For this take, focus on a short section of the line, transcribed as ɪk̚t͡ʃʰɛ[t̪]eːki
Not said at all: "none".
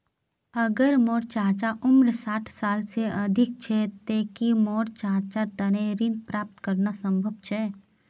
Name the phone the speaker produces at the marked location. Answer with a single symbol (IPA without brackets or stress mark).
t̪